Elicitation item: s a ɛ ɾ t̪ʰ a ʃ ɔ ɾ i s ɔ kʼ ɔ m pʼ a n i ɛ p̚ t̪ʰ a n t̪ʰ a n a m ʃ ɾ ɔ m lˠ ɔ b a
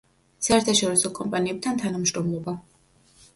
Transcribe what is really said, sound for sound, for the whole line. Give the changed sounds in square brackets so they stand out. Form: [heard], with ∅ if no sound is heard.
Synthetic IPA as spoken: s a ɛ ɾ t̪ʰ a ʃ ɔ ɾ i s ɔ kʼ ɔ m pʼ a n i ɛ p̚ t̪ʰ a n t̪ʰ a n a m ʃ ɾ ɔ m lˠ ɔ b a